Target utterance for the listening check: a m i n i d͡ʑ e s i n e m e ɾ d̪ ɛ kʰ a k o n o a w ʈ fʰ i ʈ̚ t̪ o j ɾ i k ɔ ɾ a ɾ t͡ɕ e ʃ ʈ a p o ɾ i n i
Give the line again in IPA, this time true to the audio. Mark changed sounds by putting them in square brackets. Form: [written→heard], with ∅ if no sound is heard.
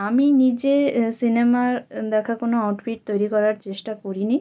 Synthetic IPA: a m i n i d͡ʑ e s i n e m [e→a] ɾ d̪ ɛ kʰ a k o n o a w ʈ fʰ i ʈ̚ t̪ o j ɾ i k ɔ ɾ a ɾ t͡ɕ e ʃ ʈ a [p→k] o ɾ i n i